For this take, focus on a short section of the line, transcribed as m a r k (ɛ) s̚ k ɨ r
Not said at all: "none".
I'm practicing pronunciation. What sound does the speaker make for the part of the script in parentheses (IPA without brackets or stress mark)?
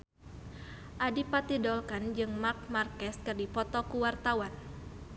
ɛ